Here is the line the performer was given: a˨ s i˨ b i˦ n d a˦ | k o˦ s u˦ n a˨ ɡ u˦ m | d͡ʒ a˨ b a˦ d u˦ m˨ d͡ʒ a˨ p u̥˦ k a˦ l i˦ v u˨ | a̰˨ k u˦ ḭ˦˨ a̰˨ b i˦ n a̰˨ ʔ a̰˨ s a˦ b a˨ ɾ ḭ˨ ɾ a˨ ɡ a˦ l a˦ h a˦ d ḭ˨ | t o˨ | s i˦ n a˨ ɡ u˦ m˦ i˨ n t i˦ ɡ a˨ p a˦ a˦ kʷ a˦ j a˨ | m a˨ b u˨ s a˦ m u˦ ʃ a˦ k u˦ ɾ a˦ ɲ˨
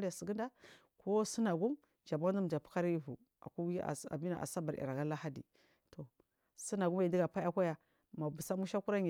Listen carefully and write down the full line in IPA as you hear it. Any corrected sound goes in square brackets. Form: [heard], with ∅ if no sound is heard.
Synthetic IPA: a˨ s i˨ [ɡ] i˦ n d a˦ | k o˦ s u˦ n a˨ ɡ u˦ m | d͡ʒ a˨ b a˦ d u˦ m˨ d͡ʒ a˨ p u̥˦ k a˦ [ɾ] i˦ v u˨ | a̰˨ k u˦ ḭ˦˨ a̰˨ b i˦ n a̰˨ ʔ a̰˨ s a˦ b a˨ ɾ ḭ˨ ɾ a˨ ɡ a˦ l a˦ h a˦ d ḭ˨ | t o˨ | s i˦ n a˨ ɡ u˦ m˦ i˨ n [d] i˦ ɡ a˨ p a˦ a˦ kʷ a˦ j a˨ | m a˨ b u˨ s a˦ m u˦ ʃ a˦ k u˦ ɾ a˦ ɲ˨

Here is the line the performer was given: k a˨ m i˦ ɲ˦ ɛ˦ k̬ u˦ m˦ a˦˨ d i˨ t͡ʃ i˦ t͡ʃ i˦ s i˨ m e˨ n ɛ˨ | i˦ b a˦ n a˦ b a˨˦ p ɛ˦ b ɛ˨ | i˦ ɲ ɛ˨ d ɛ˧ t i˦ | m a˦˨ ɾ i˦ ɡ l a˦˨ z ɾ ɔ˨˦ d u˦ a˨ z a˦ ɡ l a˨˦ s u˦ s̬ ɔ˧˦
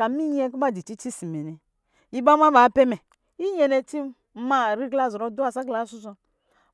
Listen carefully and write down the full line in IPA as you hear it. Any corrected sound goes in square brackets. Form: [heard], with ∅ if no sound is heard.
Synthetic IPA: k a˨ m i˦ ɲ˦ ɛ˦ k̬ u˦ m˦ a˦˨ d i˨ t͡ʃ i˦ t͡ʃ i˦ s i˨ m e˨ n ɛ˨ | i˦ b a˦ [m] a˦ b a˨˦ p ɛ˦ [m] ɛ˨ | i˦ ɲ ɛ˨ [n] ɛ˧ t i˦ | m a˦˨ ɾ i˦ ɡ l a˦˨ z ɾ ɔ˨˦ d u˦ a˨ [s] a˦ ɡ l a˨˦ s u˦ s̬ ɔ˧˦

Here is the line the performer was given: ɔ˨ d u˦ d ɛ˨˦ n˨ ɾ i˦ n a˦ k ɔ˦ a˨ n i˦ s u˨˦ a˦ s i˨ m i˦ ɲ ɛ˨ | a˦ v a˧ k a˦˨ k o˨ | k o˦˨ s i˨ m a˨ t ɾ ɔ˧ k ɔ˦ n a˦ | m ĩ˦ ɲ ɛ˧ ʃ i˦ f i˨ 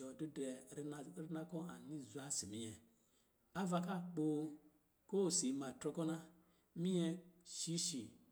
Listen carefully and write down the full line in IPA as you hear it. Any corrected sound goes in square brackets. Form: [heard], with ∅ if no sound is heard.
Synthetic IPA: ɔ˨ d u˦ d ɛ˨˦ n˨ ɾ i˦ n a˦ k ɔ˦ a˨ n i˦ [z] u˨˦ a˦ s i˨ m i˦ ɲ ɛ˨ | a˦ v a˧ k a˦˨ [k͡p] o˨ | k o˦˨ s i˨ m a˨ t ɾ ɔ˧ k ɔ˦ n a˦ | m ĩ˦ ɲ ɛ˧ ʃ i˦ [ʃ] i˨

